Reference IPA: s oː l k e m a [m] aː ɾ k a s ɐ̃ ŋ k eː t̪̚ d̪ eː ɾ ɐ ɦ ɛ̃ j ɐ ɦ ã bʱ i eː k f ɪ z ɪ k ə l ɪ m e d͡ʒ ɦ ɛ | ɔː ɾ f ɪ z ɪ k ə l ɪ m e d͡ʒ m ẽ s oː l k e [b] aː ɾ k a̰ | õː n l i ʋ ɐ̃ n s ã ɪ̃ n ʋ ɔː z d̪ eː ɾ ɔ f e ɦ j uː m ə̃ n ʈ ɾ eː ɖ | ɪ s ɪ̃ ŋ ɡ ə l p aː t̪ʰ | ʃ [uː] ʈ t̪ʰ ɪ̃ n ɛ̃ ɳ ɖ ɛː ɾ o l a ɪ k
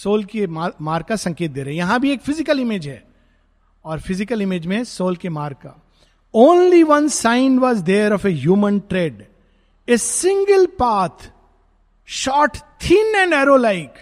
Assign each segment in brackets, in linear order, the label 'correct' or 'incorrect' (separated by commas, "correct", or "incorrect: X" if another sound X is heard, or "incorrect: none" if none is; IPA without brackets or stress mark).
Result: correct, incorrect: m, incorrect: ɔː